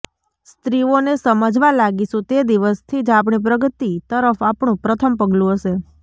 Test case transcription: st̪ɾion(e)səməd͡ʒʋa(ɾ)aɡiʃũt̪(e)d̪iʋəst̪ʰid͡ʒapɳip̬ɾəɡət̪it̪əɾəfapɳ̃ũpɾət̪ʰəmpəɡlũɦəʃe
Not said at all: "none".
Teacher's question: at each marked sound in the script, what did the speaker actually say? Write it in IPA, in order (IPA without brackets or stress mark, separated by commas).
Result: e, l, e